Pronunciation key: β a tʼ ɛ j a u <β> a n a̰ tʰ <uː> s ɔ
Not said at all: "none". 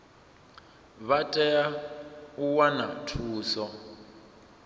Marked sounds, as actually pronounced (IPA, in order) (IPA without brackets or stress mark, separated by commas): w, uː